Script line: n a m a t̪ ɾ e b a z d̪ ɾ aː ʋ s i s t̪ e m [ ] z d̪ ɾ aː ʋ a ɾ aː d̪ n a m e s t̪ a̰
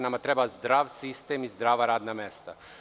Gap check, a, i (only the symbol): i